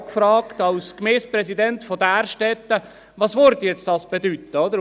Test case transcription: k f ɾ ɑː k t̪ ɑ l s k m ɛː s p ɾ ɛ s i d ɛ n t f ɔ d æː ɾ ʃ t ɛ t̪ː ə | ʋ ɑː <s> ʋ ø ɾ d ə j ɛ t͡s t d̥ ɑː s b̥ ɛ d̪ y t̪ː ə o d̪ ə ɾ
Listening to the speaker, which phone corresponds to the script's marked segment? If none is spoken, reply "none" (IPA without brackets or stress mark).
s